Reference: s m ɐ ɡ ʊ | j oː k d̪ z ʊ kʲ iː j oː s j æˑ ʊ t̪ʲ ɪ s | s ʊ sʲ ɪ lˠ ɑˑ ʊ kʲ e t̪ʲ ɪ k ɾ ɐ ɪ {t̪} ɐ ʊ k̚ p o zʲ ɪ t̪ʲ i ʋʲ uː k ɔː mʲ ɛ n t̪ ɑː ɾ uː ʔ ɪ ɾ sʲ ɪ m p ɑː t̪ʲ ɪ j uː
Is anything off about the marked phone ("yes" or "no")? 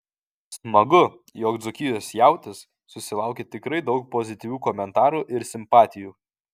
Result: yes